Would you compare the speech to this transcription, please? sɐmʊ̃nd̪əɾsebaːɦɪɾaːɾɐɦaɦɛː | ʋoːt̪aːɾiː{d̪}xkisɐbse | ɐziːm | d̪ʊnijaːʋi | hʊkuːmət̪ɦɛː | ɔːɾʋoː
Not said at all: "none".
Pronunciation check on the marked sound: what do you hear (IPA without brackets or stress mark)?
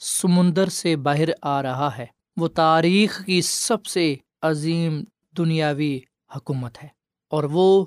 none